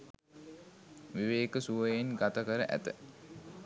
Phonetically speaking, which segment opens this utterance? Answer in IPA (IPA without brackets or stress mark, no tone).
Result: ʋ